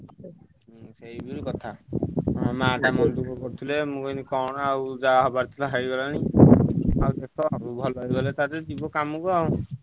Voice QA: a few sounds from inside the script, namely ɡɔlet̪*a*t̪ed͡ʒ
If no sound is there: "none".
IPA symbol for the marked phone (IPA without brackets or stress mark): a